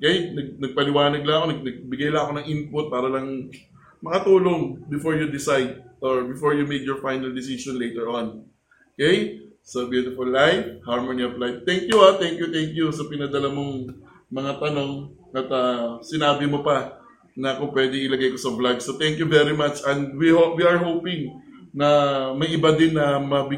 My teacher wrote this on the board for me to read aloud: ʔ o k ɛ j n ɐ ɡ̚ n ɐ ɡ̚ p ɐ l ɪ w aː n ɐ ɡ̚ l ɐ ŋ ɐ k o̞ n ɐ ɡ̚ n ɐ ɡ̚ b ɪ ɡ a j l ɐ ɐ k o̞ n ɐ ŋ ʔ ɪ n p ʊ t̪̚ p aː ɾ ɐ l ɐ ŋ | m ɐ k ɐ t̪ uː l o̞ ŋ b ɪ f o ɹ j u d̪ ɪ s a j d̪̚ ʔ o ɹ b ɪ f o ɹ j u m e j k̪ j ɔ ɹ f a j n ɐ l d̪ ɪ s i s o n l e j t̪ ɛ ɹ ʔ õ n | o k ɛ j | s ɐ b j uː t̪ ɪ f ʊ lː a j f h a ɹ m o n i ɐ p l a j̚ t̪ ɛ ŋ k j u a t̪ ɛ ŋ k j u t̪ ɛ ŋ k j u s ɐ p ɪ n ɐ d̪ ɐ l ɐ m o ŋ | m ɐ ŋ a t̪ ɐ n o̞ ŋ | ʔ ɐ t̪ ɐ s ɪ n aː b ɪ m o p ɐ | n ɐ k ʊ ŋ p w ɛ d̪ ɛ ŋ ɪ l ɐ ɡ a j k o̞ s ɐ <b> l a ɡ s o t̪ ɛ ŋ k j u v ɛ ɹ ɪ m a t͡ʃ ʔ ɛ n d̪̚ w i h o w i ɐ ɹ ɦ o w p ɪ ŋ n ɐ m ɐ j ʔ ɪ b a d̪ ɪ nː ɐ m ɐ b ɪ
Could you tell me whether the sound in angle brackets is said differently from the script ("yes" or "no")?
no